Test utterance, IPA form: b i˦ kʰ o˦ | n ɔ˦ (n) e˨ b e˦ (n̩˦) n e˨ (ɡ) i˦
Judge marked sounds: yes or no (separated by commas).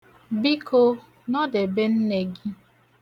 no, yes, yes